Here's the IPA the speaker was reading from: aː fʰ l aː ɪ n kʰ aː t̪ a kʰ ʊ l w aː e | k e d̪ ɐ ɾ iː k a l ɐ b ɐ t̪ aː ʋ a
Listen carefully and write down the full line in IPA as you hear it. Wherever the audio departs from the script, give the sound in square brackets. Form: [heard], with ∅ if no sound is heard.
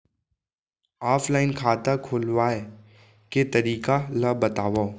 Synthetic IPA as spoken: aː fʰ l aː ɪ n kʰ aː t̪ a kʰ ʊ l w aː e | k e [t̪] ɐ ɾ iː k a l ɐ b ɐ t̪ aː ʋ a